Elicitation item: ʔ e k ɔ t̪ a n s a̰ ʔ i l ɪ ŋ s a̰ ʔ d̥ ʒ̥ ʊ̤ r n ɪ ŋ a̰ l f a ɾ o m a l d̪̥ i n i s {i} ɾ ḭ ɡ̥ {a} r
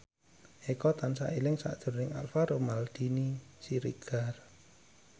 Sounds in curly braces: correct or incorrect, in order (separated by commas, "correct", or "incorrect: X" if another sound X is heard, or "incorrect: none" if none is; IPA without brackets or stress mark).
correct, correct